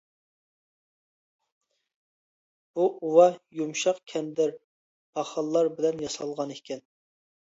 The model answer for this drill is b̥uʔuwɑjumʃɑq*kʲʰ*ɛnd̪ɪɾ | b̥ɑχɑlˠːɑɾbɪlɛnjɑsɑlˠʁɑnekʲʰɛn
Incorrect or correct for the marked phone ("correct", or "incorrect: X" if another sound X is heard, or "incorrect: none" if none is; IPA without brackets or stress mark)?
correct